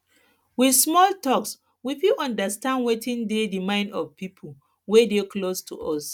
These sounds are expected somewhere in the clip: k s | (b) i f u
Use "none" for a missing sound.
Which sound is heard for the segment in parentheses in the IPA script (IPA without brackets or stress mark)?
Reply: w